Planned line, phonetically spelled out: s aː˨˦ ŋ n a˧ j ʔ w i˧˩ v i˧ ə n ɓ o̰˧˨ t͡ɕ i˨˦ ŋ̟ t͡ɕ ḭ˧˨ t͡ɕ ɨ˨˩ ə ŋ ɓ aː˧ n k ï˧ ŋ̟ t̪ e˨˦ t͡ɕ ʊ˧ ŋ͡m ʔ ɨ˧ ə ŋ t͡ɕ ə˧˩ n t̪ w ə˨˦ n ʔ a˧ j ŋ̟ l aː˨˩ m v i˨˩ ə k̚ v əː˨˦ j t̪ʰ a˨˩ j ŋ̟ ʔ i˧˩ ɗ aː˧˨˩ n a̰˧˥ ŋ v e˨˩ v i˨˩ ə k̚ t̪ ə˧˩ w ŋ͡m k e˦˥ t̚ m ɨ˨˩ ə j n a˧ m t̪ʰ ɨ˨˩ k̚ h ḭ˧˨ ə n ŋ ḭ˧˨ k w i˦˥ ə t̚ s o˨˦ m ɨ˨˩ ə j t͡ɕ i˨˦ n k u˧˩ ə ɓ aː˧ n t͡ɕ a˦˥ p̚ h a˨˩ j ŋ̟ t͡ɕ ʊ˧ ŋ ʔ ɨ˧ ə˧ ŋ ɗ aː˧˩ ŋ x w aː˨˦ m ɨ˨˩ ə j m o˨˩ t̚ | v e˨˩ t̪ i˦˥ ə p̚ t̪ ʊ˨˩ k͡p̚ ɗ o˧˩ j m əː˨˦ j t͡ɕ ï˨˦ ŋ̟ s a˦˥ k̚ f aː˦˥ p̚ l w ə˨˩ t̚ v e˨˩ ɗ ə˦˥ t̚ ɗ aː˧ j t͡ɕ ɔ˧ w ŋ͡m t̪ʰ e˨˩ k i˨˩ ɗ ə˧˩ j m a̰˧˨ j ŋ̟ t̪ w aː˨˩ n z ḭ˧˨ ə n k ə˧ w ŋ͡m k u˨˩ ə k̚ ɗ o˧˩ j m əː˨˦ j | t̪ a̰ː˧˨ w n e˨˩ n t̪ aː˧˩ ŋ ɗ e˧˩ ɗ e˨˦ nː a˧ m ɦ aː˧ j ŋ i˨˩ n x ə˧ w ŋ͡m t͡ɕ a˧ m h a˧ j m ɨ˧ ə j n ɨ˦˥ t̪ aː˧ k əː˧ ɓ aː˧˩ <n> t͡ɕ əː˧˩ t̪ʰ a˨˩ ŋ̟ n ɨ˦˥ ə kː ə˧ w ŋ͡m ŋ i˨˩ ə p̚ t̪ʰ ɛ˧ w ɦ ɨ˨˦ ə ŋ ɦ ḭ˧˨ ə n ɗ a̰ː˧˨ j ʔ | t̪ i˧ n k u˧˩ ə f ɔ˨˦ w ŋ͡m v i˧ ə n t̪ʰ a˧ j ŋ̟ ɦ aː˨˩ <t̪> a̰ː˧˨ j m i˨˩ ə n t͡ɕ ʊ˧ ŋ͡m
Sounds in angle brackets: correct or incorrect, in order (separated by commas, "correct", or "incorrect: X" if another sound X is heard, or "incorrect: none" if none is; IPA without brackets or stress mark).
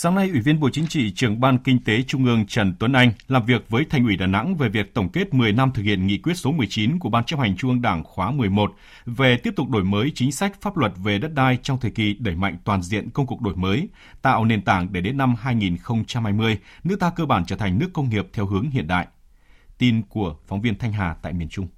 correct, correct